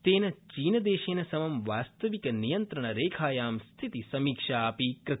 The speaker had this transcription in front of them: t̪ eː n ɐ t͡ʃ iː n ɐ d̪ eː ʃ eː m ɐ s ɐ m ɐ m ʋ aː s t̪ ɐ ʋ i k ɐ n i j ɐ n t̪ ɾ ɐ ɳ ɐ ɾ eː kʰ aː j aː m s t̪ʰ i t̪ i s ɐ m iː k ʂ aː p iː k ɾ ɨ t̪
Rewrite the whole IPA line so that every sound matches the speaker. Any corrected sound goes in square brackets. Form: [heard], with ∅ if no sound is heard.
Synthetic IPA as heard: t̪ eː n ɐ t͡ʃ iː n ɐ d̪ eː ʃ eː [n] ɐ s ɐ m ɐ m ʋ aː s t̪ ɐ ʋ i k ɐ n i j ɐ n t̪ ɾ ɐ ɳ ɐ ɾ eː kʰ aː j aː m s t̪ʰ i t̪ i s ɐ m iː k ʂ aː p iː k ɾ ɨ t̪